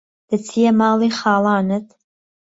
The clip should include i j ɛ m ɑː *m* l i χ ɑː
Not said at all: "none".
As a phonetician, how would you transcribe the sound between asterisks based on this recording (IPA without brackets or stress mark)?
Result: none